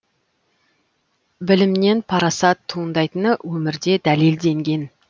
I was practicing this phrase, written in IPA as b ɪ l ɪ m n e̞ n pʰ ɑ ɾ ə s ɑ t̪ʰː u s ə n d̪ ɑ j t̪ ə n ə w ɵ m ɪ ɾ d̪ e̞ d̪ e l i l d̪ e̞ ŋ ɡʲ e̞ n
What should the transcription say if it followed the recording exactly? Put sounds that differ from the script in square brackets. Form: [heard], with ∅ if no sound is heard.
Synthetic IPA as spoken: b ɪ l ɪ m n e̞ n pʰ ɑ ɾ [ɑ] s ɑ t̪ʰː u [∅] ə n d̪ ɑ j t̪ ə n ə w ɵ m ɪ ɾ d̪ e̞ d̪ [æ] l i l d̪ e̞ ŋ ɡʲ e̞ n